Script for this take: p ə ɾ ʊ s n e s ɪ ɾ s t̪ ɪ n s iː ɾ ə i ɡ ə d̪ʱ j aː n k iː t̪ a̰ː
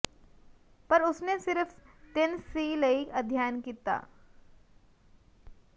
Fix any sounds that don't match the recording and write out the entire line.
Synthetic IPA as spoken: p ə ɾ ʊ s n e s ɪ ɾ f t̪ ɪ n s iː l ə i k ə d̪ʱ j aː n k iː t̪ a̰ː